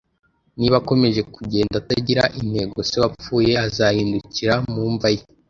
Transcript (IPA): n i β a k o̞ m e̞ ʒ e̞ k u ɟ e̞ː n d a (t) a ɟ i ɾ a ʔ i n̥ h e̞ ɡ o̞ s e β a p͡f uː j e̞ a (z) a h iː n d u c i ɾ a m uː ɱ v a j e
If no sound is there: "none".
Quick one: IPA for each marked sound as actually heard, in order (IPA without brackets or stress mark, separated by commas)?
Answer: t, z